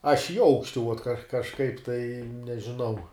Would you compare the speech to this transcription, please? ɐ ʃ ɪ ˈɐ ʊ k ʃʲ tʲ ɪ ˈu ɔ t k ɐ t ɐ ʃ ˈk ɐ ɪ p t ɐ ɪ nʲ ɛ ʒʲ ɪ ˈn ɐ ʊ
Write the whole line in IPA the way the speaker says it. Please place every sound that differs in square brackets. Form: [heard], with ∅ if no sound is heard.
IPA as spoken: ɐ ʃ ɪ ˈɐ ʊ k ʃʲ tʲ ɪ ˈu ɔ t k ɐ [k] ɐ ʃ ˈk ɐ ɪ p t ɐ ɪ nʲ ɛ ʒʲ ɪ ˈn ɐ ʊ